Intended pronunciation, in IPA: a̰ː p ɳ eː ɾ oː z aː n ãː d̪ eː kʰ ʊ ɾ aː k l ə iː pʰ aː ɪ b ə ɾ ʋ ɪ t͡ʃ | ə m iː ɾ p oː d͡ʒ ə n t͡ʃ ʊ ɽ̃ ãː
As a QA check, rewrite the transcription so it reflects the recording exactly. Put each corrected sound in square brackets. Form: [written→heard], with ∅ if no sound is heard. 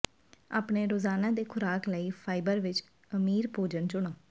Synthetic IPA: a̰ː p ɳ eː ɾ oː z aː n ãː d̪ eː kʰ ʊ ɾ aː k l ə iː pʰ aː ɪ b ə ɾ ʋ ɪ t͡ʃ | ə m iː ɾ p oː d͡ʒ ə n t͡ʃ ʊ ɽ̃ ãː